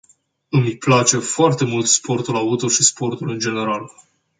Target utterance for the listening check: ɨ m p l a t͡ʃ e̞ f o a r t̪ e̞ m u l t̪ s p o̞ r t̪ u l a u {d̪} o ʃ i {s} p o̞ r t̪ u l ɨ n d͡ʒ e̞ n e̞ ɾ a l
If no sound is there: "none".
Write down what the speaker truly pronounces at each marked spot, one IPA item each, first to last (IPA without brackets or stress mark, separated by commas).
t̪, s